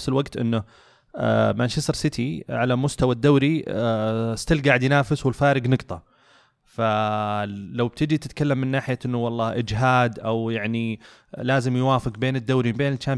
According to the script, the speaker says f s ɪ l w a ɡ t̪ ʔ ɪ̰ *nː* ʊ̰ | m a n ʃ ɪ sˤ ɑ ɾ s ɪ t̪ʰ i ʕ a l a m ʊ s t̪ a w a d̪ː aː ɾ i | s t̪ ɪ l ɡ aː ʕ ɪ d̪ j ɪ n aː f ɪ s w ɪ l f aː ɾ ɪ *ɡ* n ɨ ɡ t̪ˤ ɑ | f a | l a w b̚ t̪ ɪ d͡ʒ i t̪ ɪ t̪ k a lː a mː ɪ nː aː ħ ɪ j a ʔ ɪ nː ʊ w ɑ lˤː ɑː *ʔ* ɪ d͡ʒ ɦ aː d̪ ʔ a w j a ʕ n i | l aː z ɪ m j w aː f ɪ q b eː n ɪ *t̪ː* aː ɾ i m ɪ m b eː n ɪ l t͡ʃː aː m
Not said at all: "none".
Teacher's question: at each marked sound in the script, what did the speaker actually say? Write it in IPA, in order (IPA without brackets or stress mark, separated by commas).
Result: nː, ɡ, ʔ, d̪ː